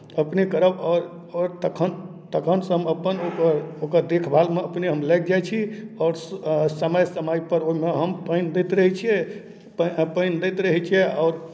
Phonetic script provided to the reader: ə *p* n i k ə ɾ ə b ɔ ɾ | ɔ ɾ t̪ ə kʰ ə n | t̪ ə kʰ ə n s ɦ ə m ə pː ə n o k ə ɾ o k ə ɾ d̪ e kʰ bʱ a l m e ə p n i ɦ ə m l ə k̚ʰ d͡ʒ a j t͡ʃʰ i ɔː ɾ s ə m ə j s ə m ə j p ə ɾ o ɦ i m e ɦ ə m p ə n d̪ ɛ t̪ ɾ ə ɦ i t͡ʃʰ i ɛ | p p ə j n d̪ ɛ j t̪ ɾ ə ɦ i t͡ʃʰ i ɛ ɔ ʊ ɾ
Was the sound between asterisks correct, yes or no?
yes